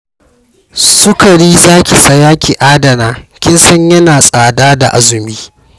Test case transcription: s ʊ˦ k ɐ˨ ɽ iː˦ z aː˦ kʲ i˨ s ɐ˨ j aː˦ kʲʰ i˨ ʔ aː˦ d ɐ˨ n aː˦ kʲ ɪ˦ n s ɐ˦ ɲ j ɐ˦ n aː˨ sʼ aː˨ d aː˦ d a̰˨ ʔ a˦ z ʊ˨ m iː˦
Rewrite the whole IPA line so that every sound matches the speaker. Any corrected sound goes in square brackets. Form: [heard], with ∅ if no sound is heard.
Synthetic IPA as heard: s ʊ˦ k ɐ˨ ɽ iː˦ z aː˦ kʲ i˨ s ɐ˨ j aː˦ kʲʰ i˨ ʔ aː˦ d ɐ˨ n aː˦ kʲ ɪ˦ n s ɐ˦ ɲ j ɐ˦ n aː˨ sʼ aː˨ d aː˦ d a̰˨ ʔ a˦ z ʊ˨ m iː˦